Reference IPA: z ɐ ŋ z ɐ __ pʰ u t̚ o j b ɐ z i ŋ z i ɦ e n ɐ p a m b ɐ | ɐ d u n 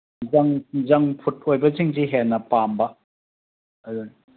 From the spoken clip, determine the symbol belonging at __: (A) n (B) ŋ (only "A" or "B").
B